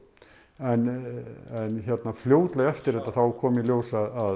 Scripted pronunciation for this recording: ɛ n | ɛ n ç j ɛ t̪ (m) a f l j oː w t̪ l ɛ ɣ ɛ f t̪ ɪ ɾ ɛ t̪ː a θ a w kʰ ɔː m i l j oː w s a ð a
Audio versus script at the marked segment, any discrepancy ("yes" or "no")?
yes